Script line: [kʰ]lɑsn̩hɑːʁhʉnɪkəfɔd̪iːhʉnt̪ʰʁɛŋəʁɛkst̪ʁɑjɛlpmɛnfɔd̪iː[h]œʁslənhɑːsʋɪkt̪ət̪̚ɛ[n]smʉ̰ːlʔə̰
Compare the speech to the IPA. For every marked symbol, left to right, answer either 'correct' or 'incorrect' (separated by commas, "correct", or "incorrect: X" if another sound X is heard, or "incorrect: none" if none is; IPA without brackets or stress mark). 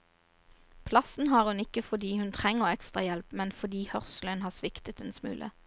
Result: incorrect: pʰ, correct, correct